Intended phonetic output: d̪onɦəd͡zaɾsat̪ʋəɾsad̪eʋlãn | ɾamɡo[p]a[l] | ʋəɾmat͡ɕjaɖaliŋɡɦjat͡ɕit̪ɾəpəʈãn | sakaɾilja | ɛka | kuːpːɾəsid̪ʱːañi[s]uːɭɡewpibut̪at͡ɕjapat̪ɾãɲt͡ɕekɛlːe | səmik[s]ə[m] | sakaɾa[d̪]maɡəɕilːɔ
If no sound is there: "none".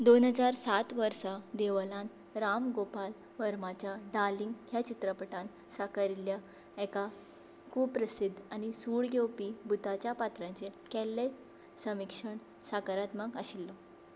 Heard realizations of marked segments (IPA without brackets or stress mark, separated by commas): p, l, s, ʂ, ɳ, t̪